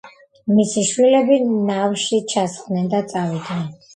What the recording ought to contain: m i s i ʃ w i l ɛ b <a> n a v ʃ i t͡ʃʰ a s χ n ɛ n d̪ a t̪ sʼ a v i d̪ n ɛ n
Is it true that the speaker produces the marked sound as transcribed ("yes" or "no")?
no